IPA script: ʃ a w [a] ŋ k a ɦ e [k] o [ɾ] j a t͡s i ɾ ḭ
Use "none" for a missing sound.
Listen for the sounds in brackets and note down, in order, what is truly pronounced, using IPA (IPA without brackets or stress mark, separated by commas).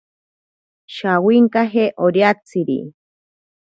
i, ʔ, ɾ